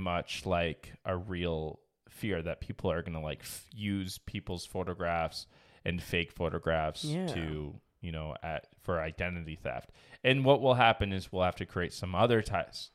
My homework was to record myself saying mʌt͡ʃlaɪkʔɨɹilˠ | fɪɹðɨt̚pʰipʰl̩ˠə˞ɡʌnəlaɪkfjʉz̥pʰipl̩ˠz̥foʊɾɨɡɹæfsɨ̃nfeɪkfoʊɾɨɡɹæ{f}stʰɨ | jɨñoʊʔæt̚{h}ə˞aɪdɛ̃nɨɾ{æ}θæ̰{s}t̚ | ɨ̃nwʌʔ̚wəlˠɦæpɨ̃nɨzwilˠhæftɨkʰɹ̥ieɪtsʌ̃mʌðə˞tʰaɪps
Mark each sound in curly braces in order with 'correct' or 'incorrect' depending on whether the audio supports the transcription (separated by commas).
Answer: correct, incorrect, incorrect, incorrect